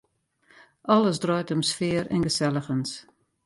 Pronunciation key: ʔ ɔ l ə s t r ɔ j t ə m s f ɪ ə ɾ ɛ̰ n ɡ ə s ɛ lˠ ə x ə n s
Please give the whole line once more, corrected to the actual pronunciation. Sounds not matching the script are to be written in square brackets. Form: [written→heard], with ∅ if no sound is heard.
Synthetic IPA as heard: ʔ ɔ l ə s [t→d] r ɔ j t ə m s f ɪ ə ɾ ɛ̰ n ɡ ə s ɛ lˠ ə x ə n s